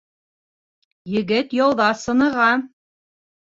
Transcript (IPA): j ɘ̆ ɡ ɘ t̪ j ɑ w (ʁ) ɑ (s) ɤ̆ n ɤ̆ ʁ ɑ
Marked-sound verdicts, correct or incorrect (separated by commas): incorrect, correct